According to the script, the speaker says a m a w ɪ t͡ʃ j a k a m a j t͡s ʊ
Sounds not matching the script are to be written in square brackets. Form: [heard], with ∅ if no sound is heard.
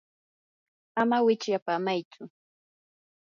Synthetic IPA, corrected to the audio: a m a w ɪ t͡ʃ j a [p] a m a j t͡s ʊ